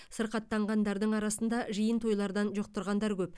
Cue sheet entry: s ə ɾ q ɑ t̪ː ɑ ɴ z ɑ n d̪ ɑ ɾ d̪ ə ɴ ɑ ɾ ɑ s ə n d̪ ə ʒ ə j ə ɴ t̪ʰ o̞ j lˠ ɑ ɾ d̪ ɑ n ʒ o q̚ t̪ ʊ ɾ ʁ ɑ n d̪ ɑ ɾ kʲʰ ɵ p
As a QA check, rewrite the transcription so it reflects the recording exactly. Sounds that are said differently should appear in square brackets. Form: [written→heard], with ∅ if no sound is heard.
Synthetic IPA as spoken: s ə ɾ q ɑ t̪ː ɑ ɴ [z→ʁ] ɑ n d̪ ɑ ɾ d̪ ə ɴ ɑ ɾ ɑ s ə n d̪ [ə→ɑ] ʒ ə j ə [ɴ→n] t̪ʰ o̞ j lˠ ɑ ɾ d̪ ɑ n ʒ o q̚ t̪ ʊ ɾ ʁ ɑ n d̪ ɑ ɾ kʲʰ ɵ p